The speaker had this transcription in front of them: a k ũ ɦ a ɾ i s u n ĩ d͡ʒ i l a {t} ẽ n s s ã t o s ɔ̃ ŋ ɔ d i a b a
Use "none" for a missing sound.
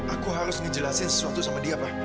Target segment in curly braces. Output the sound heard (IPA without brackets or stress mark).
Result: s